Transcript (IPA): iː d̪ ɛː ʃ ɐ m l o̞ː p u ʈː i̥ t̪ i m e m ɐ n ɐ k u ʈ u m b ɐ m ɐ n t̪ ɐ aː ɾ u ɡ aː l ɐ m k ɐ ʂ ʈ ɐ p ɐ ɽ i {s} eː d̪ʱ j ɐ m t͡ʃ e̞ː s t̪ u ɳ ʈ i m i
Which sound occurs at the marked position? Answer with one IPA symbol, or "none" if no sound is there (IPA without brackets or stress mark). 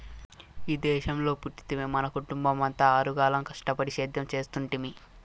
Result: ʃ